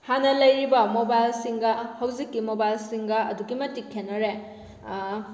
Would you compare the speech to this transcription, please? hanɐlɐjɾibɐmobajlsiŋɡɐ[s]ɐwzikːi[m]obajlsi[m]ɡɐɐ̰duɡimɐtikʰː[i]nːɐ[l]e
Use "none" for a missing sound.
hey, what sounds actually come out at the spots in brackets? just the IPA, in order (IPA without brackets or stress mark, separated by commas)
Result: h, m, ŋ, e, ɾ